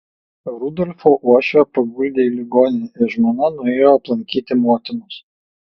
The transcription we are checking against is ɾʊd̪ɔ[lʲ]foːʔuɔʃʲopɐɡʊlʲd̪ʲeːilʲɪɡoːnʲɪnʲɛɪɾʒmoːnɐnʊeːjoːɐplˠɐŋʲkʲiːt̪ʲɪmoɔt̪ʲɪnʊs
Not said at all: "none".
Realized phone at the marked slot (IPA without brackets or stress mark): lʲ